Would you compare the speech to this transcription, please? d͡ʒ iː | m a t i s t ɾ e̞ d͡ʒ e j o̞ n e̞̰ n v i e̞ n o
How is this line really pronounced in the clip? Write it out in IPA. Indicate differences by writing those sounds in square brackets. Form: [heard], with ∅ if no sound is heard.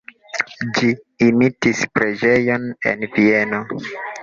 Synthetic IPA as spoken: d͡ʒ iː | m [i] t i s [p] ɾ e̞ d͡ʒ e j o̞ n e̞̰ n v i e̞ n o